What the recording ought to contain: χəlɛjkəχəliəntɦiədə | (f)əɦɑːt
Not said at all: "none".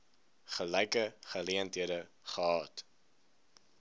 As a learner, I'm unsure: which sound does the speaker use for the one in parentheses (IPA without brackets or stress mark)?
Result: χ